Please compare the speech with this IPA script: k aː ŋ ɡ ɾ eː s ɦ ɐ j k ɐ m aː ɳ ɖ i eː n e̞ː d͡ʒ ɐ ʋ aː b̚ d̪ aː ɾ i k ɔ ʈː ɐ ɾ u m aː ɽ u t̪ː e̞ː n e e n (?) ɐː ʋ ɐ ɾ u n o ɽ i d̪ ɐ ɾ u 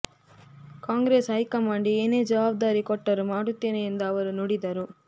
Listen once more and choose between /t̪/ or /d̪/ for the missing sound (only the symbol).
d̪